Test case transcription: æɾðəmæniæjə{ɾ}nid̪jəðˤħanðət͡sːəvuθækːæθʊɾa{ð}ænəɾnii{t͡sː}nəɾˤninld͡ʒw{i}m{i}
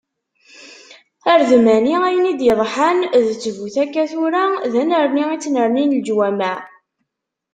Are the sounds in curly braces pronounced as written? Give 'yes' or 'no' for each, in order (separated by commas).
no, yes, yes, no, no